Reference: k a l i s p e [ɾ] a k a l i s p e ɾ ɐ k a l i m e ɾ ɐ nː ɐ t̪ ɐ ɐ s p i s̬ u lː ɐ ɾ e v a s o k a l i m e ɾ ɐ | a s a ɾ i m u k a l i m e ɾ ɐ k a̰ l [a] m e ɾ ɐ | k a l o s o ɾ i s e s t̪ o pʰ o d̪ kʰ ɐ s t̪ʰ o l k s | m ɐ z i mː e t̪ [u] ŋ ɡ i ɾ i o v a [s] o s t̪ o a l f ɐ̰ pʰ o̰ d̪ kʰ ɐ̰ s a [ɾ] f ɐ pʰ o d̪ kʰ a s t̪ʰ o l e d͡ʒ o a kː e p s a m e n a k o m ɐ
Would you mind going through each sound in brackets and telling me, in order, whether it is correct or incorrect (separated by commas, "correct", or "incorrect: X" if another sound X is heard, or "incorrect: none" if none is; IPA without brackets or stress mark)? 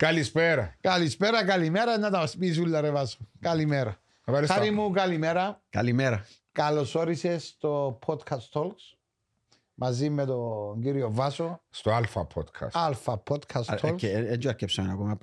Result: correct, incorrect: i, incorrect: o, correct, incorrect: l